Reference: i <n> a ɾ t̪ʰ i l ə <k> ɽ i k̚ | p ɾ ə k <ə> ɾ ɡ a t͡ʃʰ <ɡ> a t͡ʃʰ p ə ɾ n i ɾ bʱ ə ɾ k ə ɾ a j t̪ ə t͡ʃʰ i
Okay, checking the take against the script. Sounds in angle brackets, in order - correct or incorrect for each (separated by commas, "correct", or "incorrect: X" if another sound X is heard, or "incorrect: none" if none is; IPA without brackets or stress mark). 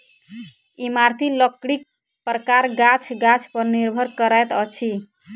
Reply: incorrect: m, correct, incorrect: a, correct